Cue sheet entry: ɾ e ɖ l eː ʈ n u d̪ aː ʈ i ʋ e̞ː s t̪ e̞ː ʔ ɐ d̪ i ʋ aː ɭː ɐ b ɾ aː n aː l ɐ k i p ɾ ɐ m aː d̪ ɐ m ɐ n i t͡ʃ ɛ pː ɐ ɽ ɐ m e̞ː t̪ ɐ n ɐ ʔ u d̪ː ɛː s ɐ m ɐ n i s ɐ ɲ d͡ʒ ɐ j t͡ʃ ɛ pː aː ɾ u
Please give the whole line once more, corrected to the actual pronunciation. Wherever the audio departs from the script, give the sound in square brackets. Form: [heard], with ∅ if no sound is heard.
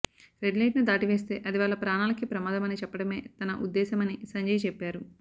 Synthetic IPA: ɾ e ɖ l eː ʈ n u d̪ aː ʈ i ʋ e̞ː s t̪ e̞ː ʔ ɐ d̪ i ʋ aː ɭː ɐ [p] ɾ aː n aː l ɐ k i p ɾ ɐ m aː d̪ ɐ m ɐ n i t͡ʃ ɛ pː ɐ ɽ ɐ m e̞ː t̪ ɐ n ɐ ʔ u d̪ː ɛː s ɐ m ɐ n i s ɐ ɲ d͡ʒ ɐ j t͡ʃ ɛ pː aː ɾ u